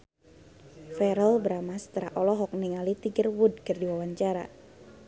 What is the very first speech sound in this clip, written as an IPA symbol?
f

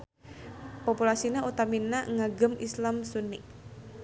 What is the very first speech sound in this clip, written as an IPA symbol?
p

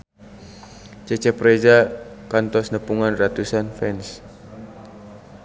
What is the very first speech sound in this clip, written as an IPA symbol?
t͡ʃ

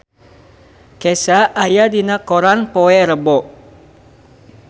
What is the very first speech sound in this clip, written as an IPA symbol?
k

